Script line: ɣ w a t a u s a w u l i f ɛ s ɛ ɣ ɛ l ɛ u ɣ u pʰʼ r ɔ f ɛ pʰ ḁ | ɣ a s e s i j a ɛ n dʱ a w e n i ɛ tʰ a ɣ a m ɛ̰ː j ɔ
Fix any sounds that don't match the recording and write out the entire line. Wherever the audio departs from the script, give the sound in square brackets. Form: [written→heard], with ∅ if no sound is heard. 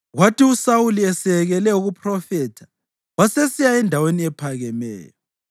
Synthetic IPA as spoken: ɣ w a t [a→i] u s a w u l i [f→∅] ɛ s ɛ ɣ ɛ l ɛ u ɣ u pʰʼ r ɔ f ɛ [pʰ→tʰ] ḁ | [ɣ→w] a s e s i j a ɛ n dʱ a w e n i ɛ [tʰ→pʰ] a ɣ [a→ɛ] m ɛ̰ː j ɔ